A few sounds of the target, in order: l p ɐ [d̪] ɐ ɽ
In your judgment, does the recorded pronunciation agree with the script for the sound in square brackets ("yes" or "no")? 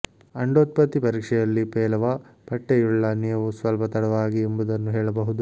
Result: no